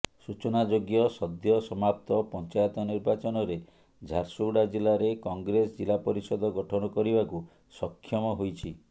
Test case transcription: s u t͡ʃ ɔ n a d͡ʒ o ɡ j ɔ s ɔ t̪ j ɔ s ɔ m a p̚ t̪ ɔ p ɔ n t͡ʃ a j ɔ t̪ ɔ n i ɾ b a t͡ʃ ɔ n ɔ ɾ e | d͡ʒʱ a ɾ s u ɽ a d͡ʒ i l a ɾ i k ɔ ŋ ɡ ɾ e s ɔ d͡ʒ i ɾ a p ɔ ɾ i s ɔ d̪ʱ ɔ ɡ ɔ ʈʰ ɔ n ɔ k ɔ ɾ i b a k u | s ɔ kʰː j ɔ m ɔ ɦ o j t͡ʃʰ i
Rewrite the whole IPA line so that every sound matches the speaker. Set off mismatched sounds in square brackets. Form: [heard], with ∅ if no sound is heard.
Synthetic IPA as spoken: s u t͡ʃ ɔ n a d͡ʒ o ɡ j ɔ s ɔ [d̪] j ɔ s ɔ m a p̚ t̪ ɔ p ɔ n t͡ʃ a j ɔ t̪ ɔ n i ɾ b a t͡ʃ ɔ n ɔ ɾ e | d͡ʒʱ a ɾ s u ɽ a d͡ʒ i l a ɾ [e] k ɔ ŋ ɡ ɾ e s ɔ d͡ʒ i [l] a p ɔ ɾ i s ɔ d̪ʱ ɔ ɡ ɔ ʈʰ ɔ n ɔ k ɔ ɾ i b a k u | s ɔ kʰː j ɔ m ɔ ɦ o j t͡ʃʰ i